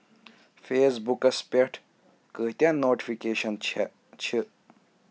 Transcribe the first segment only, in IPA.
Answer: f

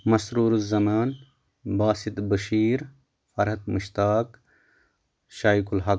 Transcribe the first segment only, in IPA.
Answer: m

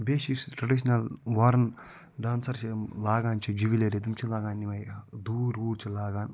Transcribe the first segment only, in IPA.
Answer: b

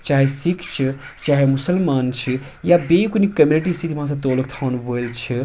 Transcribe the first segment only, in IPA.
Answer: t͡ʃ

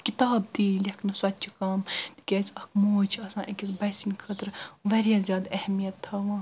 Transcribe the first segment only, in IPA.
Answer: k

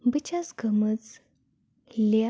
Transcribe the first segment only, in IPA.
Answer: b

